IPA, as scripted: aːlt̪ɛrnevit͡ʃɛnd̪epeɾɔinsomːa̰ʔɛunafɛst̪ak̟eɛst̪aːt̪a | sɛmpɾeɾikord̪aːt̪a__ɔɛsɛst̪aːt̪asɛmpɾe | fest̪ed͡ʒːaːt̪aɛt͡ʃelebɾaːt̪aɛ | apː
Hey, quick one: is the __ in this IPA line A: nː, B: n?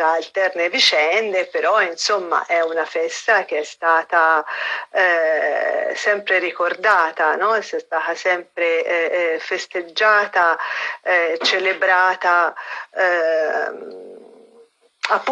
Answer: B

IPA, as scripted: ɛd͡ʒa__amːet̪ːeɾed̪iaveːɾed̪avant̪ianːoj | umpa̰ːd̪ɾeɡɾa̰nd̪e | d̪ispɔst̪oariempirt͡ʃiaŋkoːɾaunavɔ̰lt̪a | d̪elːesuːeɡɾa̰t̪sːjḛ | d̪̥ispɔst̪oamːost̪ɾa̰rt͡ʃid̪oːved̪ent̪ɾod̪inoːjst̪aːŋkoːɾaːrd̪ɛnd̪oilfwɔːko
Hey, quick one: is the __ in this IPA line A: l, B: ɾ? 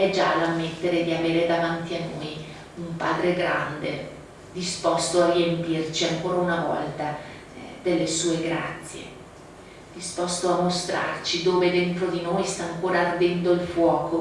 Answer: A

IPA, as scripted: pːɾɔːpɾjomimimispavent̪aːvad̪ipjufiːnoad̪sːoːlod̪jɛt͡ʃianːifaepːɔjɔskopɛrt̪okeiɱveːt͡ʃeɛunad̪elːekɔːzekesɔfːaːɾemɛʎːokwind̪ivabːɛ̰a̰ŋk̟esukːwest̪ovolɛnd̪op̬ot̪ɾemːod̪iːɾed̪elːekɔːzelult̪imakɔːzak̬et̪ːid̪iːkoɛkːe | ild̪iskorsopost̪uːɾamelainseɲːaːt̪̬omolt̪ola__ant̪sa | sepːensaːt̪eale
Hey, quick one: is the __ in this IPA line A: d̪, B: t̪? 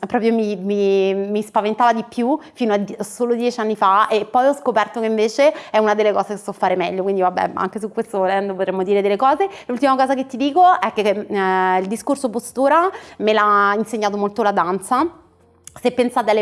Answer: A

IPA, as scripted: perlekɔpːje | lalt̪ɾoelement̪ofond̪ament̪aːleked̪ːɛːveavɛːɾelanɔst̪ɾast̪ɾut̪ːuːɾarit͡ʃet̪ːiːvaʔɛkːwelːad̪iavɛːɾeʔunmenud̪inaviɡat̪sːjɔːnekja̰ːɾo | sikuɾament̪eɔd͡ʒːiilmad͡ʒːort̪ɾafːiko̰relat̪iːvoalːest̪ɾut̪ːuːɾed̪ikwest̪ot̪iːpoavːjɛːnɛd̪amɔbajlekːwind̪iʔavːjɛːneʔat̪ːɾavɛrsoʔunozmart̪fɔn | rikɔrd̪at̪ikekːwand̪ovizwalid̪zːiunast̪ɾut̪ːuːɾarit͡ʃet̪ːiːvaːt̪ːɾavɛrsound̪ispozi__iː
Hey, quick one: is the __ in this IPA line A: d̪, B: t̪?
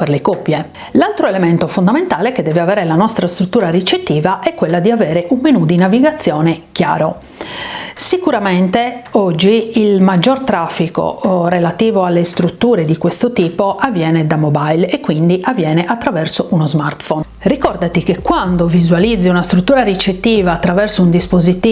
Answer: B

